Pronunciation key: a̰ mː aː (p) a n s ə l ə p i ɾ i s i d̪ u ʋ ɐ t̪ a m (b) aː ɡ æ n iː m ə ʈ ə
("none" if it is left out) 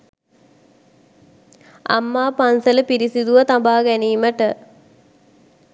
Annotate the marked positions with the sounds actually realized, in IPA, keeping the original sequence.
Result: p, b

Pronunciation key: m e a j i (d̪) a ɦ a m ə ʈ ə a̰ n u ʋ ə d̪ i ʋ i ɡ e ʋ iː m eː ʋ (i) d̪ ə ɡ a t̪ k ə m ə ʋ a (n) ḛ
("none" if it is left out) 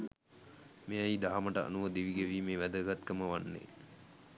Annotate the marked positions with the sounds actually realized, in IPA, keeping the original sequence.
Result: d̪, æ, nː

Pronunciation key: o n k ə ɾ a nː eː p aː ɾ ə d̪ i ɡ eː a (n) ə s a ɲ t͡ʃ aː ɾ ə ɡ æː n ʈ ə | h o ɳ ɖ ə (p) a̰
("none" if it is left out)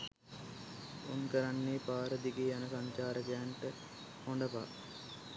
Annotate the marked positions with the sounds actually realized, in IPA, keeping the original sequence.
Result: n, p

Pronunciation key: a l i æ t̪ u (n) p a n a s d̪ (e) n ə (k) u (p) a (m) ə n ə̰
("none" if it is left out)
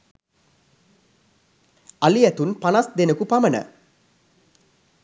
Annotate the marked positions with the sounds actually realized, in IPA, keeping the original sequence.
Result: n, e, k, p, m

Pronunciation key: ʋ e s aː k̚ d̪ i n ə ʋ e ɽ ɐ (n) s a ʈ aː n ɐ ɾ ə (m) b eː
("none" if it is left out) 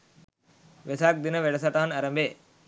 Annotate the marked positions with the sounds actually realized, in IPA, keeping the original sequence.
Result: none, m

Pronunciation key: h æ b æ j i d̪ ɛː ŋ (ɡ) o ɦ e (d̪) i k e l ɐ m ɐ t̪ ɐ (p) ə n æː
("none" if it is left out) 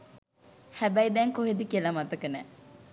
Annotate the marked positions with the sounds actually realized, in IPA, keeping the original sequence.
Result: k, d̪, k

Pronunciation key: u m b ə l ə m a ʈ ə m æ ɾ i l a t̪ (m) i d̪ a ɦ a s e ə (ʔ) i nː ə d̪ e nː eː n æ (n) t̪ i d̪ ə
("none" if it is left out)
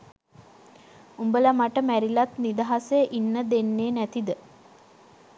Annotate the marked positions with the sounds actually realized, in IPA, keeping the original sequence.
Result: n, ʔ, none

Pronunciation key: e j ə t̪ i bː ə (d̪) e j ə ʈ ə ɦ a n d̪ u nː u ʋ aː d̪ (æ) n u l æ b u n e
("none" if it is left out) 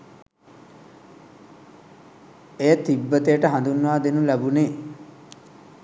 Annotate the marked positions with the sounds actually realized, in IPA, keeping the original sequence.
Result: t̪, e

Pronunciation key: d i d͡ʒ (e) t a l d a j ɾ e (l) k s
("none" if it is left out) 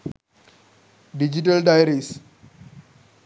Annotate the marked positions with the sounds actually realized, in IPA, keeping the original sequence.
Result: i, none

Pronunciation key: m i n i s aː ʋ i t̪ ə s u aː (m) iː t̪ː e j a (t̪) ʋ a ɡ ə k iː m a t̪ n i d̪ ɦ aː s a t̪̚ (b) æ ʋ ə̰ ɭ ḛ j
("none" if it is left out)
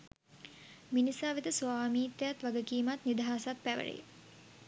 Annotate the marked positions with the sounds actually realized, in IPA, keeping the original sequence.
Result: m, t̪, p

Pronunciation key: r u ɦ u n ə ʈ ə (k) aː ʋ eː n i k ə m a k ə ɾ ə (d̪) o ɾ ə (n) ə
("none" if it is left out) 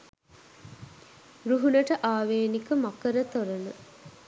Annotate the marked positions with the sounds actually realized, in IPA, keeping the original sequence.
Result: ʔ, t̪, n

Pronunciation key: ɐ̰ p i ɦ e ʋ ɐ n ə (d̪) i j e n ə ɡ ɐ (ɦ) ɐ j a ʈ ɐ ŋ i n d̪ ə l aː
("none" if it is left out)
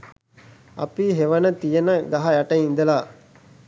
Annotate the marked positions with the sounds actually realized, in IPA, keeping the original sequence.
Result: t̪, ɦ

